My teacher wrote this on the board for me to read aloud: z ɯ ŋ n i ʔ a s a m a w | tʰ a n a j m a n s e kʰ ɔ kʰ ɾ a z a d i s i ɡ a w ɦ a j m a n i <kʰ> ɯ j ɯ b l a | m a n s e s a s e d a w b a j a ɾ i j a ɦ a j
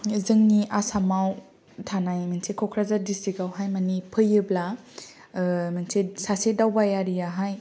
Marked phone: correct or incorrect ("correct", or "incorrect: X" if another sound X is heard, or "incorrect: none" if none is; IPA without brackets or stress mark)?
incorrect: pʰ